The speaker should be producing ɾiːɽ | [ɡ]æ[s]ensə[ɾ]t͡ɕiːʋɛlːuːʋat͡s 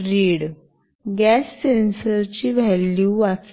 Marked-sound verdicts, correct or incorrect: correct, incorrect, correct

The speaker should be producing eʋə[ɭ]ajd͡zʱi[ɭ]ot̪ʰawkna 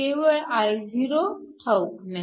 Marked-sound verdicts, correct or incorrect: correct, incorrect

